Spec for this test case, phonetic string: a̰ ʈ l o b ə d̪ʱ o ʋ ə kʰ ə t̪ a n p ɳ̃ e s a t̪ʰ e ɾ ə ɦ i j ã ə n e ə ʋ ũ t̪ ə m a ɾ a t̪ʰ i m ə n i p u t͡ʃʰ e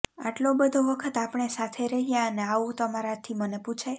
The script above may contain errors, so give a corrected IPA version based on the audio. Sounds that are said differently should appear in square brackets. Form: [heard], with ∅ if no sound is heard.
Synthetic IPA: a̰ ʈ l o b ə d̪ʱ o ʋ ə kʰ ə t̪ a [∅] p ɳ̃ e s a t̪ʰ e ɾ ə ɦ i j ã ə n e [a] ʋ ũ t̪ ə m a ɾ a t̪ʰ i m ə n [e] p u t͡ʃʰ e